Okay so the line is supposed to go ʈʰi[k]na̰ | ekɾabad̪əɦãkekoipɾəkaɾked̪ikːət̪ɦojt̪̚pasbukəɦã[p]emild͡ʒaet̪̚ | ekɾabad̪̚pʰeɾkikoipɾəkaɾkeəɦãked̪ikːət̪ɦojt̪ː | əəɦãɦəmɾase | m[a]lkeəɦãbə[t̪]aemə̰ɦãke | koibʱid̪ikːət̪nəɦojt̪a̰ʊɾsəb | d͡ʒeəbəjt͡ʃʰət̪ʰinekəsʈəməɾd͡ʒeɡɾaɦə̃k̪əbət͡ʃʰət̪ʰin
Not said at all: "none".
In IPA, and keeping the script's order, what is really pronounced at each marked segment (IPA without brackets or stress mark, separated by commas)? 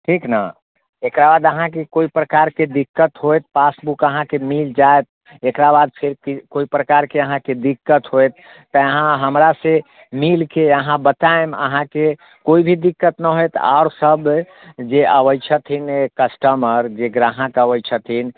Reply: k, k, i, t̪